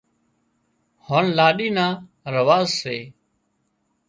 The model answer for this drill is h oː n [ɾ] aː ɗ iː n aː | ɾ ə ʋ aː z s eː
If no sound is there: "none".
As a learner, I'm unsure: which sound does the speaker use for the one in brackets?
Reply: l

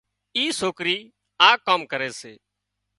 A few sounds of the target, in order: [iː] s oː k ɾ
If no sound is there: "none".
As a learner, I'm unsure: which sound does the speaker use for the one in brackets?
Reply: iː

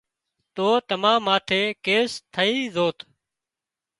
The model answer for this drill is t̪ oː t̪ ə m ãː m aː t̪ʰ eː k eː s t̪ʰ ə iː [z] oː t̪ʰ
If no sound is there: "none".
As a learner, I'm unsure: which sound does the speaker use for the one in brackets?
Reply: z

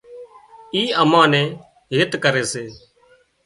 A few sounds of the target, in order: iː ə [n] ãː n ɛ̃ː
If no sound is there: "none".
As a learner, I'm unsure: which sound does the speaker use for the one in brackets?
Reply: m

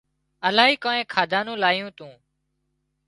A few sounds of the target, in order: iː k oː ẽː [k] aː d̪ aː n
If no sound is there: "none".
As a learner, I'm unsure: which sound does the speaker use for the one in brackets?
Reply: kʰ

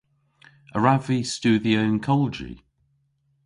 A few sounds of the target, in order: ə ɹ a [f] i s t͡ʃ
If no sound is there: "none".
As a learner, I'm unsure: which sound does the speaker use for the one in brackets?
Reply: v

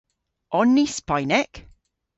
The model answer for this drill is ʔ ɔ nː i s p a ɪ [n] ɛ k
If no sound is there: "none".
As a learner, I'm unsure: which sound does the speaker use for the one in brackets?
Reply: n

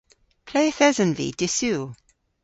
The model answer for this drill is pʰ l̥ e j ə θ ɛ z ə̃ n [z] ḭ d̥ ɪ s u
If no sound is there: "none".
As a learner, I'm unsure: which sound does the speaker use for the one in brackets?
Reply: v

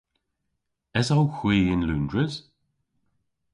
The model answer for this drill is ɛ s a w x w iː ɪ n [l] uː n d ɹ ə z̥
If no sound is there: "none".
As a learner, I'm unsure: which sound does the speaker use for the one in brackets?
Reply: l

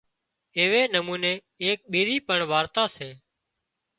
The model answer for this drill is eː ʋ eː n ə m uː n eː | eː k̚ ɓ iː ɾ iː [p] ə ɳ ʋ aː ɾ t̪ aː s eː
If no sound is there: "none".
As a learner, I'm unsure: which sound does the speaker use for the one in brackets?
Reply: p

